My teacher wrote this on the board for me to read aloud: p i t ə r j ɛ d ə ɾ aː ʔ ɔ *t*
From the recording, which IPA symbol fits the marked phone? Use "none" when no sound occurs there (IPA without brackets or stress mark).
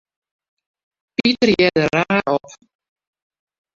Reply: p